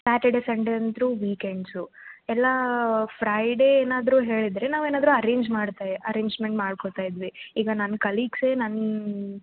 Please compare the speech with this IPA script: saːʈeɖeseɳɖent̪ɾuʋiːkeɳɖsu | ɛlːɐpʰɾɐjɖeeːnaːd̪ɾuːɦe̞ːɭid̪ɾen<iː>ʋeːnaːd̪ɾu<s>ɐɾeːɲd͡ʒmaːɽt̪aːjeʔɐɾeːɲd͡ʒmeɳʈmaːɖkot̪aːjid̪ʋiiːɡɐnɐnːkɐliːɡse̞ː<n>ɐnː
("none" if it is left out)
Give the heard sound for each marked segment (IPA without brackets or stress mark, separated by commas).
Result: aː, none, n